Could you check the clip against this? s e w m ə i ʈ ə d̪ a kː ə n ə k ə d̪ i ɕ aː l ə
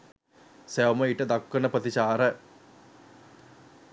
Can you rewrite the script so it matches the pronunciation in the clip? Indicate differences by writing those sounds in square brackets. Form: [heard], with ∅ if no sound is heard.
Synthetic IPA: s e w m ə i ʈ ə d̪ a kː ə n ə [p] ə [t̪] i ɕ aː [ɾ] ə